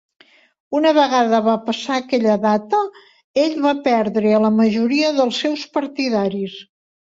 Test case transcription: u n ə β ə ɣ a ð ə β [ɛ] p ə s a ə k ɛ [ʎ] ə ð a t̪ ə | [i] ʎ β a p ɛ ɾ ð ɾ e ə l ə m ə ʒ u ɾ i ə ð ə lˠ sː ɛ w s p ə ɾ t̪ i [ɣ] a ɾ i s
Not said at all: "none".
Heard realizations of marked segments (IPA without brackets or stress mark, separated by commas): a, ʎ, e, ð